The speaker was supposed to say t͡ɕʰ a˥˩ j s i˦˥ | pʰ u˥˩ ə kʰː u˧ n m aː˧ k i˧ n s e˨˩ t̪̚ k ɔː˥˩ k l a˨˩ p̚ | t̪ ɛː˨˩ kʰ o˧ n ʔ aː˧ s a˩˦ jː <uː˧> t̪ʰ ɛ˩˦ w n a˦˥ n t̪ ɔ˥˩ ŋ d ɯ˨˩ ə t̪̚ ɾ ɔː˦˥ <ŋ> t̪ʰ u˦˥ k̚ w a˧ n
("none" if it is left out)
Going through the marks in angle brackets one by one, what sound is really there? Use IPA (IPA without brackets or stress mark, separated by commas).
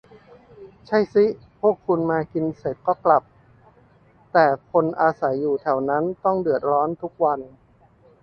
uː˨˩, n